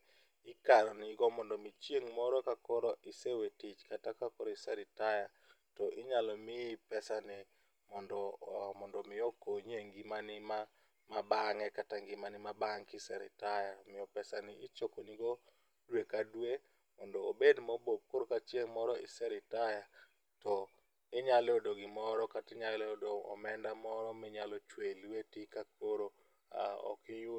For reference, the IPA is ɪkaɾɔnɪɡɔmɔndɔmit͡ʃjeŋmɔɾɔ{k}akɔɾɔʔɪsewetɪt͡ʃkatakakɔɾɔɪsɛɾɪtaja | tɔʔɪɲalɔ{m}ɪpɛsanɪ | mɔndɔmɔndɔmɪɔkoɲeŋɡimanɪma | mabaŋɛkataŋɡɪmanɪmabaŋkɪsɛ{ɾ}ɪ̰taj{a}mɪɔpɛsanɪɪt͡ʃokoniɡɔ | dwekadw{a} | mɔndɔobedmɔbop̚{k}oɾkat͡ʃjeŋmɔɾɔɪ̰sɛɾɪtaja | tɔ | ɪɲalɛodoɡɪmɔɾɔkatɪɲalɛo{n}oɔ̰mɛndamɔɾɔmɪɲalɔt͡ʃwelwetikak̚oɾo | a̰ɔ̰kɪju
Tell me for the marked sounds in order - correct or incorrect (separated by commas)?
correct, correct, correct, correct, incorrect, correct, incorrect